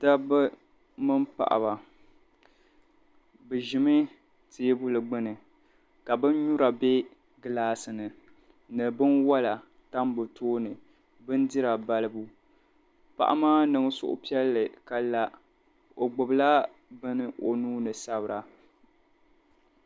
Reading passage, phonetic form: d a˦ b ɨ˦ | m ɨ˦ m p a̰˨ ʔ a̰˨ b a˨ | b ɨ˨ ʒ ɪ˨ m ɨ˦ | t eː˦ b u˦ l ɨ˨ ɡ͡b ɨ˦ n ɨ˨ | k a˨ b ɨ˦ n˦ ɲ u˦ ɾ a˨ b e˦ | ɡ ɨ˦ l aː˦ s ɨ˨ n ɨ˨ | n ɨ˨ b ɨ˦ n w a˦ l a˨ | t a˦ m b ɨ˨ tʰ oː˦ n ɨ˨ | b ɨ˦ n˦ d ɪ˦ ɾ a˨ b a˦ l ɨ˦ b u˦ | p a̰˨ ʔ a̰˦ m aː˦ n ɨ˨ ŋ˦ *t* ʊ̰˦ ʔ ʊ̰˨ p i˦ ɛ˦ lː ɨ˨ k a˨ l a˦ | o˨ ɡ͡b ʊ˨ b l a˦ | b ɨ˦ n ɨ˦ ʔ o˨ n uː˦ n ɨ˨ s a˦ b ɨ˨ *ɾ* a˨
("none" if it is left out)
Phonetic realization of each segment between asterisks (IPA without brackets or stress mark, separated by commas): s, ɾ